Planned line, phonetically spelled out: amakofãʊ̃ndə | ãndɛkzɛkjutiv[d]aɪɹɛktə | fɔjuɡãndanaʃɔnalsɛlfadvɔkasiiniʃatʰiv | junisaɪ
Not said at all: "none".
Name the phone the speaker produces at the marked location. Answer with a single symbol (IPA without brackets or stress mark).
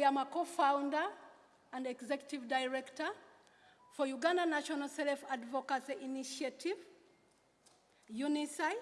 d